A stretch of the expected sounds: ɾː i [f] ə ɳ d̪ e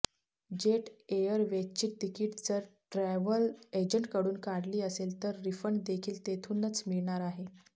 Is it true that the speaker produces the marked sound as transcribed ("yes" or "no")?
yes